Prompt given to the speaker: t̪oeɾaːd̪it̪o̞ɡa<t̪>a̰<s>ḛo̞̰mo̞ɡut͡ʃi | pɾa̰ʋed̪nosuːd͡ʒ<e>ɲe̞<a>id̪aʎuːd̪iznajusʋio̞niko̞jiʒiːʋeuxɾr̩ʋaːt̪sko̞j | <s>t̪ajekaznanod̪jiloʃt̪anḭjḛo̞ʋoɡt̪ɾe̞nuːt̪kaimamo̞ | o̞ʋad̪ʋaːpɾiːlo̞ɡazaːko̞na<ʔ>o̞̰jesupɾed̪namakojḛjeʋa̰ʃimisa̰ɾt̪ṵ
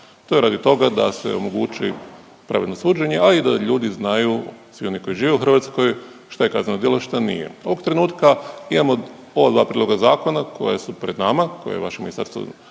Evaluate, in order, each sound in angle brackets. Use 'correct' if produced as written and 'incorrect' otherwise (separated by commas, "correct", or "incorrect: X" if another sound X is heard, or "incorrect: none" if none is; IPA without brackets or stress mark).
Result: incorrect: d̪, correct, correct, correct, incorrect: ʃ, incorrect: k